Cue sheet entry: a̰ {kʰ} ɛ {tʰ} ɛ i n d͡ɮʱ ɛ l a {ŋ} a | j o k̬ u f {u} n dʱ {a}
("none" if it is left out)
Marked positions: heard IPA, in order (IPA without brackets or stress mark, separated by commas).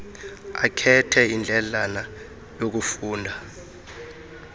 kʰ, tʰ, n, uː, a